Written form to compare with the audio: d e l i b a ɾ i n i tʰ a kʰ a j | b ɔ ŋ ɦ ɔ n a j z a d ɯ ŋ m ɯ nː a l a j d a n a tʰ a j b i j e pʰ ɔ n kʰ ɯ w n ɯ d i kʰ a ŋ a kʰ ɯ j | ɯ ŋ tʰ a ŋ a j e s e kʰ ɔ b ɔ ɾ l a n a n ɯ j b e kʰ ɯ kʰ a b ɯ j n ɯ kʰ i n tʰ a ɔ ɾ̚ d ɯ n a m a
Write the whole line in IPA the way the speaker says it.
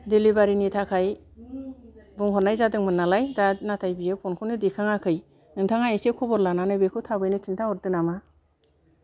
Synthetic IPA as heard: d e l i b a ɾ i n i tʰ a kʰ a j | b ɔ ŋ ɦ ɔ n a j z a d ɯ ŋ m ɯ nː a l a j d a n a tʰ a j b i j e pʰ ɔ n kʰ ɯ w n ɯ d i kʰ a ŋ a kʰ ɯ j | ɯ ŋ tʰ a ŋ a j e s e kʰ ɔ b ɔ ɾ l a n a n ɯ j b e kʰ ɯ tʰ a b ɯ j n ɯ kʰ i n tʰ a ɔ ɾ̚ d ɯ n a m a